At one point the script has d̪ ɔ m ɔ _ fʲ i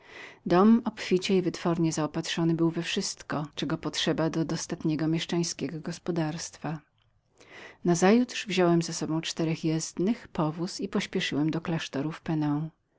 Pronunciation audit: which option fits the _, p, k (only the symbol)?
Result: p